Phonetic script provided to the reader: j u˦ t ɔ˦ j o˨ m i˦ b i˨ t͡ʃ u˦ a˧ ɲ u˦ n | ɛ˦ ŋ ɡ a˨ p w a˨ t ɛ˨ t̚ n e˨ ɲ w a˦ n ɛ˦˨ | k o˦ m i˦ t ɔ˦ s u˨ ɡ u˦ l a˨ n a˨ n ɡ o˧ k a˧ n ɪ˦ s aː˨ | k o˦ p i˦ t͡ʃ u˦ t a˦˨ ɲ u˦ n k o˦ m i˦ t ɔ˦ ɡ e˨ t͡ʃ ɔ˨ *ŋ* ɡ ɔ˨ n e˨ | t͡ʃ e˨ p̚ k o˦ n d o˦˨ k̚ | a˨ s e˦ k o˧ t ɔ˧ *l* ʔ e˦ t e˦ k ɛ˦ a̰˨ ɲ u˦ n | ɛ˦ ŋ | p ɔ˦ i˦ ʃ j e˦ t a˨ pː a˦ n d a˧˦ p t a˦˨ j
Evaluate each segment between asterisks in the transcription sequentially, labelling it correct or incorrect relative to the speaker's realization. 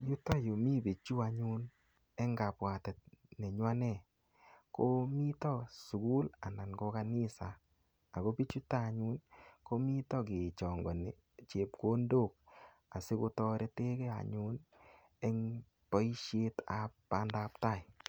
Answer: correct, incorrect: ɾ

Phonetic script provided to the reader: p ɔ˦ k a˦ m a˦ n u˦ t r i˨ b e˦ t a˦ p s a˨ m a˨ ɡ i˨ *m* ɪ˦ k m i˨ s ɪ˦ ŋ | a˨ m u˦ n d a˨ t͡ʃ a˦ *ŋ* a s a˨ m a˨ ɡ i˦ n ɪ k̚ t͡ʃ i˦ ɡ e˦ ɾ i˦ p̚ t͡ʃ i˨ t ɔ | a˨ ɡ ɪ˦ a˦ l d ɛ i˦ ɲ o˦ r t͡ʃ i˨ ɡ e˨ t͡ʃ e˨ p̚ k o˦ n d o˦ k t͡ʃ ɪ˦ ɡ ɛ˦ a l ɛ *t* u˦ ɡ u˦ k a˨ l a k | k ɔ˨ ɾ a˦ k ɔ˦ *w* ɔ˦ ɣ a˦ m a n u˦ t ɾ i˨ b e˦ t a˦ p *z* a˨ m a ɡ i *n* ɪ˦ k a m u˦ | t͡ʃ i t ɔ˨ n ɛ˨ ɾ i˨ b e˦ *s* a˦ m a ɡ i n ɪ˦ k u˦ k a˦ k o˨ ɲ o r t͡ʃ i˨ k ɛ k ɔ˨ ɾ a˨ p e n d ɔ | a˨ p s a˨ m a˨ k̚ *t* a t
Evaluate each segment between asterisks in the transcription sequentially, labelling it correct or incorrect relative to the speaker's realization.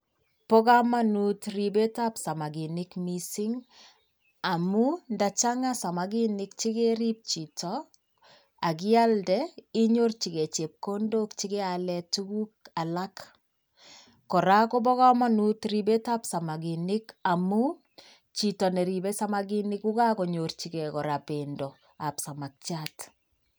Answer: incorrect: n, correct, correct, incorrect: b, incorrect: s, correct, correct, incorrect: t͡ʃ

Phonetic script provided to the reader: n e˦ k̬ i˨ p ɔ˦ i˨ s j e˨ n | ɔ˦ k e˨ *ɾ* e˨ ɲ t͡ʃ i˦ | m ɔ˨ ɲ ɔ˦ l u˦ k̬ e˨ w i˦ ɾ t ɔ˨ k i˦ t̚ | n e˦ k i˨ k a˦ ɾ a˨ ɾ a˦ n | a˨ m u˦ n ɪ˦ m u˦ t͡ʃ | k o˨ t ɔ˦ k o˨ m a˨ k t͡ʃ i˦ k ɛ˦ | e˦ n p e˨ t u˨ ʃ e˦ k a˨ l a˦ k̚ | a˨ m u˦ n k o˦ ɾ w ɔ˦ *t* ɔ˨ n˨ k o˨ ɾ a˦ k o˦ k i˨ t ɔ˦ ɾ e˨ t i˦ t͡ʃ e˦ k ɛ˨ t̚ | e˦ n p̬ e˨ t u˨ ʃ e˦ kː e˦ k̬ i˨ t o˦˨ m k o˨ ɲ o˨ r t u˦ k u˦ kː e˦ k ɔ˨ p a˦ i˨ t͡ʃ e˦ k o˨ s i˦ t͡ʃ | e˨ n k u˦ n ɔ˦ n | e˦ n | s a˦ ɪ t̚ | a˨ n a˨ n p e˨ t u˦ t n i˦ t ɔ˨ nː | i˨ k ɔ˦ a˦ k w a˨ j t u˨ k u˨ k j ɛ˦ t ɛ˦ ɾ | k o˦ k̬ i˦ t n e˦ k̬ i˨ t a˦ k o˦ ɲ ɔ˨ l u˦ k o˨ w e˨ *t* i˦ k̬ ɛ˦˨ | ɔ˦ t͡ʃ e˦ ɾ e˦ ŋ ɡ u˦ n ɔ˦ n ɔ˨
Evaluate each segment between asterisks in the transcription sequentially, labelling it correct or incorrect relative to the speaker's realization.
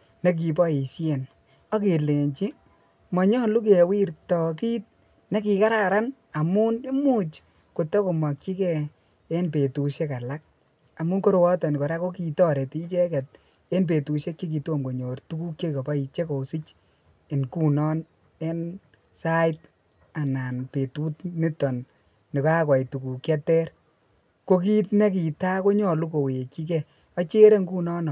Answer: incorrect: l, correct, incorrect: k

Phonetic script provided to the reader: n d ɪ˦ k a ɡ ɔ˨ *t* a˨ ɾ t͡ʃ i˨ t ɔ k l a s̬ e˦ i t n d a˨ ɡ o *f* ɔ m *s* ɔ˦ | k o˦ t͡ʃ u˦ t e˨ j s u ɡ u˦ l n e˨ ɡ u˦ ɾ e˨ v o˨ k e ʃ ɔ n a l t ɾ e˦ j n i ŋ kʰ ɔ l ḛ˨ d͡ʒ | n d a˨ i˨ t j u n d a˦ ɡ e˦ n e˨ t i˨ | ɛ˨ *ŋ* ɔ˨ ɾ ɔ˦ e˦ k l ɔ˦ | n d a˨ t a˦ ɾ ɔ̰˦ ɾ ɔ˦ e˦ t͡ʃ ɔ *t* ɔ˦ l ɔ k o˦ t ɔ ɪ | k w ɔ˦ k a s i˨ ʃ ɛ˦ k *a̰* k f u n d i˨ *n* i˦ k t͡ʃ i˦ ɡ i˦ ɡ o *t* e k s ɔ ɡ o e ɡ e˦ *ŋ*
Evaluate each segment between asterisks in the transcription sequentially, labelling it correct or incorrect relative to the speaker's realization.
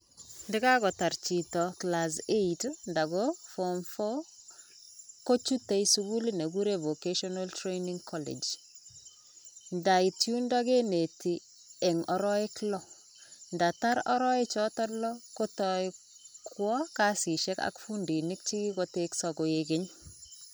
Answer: correct, correct, incorrect: f, correct, correct, correct, correct, correct, incorrect: ɲ

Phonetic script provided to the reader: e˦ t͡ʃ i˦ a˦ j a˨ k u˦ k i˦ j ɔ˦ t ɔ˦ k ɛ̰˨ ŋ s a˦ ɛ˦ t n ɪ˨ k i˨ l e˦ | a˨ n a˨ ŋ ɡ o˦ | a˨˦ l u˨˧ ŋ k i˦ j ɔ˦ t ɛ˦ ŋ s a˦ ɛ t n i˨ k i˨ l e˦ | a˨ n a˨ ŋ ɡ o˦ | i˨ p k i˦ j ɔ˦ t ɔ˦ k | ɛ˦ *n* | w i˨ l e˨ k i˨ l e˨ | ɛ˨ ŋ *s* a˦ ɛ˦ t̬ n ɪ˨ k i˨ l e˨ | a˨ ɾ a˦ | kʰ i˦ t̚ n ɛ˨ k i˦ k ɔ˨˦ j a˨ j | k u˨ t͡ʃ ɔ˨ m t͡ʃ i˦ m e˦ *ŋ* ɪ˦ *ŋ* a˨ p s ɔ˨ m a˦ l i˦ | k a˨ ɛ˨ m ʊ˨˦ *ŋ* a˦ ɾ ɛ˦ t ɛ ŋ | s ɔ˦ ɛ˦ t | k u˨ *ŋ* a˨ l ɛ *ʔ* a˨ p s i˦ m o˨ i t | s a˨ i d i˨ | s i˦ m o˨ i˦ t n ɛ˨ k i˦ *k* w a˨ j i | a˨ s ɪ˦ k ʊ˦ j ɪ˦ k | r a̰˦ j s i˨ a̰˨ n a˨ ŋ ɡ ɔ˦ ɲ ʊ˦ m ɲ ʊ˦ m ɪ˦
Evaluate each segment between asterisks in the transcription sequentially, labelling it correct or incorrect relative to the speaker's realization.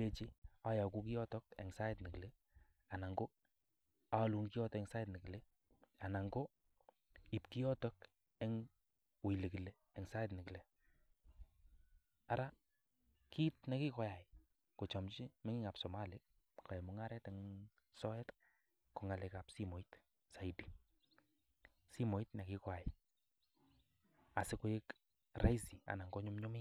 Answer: incorrect: ŋ, correct, correct, correct, correct, correct, incorrect: k, correct

